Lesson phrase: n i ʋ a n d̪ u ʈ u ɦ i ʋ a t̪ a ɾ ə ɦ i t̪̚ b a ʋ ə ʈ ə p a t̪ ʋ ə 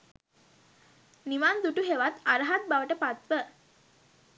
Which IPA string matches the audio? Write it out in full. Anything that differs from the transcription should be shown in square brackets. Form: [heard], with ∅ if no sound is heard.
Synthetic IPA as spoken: n i ʋ a n d̪ u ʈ u ɦ [e] ʋ a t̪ a ɾ ə ɦ [a] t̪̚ b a ʋ ə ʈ ə p a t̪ ʋ ə